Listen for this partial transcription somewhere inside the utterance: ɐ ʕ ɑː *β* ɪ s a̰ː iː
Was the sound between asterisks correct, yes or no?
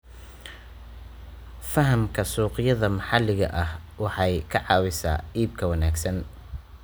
no